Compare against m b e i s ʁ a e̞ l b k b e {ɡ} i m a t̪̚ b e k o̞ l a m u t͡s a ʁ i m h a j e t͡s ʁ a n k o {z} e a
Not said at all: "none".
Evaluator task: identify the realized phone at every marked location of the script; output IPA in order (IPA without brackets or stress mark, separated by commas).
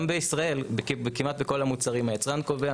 k, v